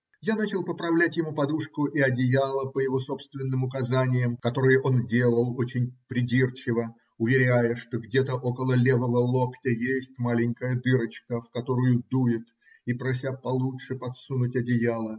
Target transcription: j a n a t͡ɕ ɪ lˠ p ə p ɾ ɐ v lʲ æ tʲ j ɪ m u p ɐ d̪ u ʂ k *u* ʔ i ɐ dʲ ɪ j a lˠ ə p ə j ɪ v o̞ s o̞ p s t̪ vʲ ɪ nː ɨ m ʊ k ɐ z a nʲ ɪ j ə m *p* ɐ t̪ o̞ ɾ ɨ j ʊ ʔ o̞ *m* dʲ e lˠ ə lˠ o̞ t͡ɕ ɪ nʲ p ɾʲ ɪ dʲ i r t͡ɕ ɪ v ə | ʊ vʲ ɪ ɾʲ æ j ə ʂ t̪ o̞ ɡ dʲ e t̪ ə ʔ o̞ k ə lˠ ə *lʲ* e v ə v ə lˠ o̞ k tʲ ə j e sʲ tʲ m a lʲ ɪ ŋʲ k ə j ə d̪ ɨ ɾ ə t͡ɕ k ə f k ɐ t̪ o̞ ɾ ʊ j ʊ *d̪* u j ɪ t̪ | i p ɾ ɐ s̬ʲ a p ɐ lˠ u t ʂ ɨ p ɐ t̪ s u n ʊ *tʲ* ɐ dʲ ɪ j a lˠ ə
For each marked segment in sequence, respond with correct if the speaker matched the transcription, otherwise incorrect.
incorrect: ʊ, incorrect: k, incorrect: n, correct, correct, correct

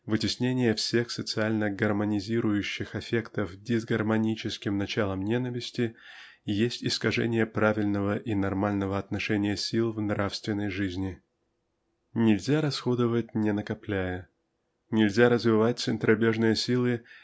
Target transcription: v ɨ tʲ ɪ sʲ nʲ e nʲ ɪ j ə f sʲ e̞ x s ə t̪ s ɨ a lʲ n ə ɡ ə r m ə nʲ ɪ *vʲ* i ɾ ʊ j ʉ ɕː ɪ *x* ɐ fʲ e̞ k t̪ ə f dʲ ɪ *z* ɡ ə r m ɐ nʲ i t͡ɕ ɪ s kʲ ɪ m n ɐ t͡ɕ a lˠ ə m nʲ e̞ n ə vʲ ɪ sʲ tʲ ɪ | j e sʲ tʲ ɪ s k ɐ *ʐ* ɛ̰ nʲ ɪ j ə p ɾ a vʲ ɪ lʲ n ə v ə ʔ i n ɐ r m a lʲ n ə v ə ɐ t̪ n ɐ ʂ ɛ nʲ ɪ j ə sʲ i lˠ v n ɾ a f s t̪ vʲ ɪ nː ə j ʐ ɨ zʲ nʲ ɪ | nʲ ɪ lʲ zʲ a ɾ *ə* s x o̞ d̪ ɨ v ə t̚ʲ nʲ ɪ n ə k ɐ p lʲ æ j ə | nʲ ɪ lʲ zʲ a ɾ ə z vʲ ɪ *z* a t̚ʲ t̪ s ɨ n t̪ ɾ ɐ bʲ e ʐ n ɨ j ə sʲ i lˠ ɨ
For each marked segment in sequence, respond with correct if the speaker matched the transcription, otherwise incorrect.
incorrect: zʲ, correct, correct, correct, incorrect: ɐ, incorrect: v

